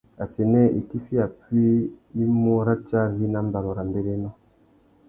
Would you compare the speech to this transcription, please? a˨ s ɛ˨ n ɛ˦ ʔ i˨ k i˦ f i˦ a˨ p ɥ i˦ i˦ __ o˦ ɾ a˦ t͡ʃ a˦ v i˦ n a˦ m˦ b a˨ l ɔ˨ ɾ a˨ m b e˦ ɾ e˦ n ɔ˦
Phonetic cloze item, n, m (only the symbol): m